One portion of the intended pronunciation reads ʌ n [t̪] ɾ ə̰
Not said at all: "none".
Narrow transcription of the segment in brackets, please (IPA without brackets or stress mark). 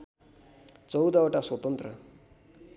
t̪